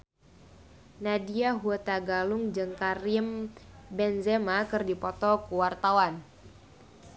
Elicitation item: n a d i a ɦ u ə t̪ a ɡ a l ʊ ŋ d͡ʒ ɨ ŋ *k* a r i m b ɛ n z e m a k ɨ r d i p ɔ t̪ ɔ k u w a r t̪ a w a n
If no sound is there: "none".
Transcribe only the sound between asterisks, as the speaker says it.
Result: k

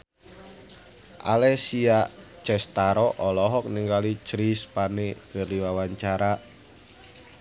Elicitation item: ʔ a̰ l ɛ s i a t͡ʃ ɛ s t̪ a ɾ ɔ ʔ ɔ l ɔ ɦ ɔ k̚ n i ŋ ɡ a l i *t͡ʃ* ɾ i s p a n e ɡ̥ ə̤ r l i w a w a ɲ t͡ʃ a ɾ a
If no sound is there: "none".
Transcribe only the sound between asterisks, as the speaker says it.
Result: t͡ʃ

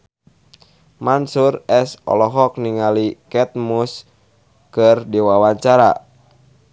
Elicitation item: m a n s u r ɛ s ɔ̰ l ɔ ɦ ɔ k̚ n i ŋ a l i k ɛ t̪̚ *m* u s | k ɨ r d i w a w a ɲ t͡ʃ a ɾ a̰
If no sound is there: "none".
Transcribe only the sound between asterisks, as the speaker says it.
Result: m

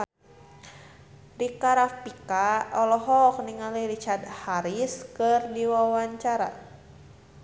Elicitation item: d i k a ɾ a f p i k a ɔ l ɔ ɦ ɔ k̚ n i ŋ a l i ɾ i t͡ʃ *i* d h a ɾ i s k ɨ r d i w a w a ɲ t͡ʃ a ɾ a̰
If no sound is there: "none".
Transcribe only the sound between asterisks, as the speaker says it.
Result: a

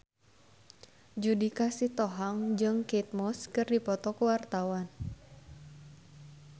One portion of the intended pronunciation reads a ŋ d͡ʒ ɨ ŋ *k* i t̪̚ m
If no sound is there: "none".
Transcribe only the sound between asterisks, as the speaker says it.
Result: k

